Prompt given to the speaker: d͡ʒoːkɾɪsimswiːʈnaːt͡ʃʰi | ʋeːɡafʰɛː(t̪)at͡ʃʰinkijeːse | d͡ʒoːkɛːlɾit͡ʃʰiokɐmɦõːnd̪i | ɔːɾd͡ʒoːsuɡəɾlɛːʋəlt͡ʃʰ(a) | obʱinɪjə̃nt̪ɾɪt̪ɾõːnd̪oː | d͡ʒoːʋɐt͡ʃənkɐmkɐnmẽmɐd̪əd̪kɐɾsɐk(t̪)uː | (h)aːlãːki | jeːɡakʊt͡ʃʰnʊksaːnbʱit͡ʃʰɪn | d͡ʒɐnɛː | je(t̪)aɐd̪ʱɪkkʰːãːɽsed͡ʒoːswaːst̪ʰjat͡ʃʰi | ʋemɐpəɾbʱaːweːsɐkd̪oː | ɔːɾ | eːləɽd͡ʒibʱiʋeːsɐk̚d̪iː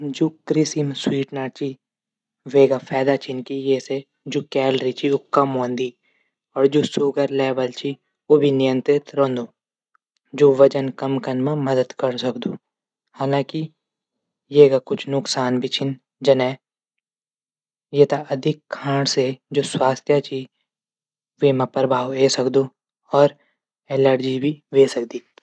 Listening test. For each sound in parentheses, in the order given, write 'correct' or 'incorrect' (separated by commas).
incorrect, incorrect, incorrect, correct, correct